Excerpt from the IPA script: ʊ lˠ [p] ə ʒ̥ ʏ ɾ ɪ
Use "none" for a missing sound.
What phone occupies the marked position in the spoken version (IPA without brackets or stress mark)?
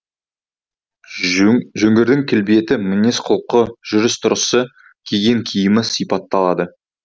q